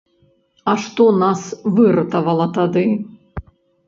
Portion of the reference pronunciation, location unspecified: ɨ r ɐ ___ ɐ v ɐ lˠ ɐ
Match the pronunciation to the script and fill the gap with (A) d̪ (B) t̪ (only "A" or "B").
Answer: B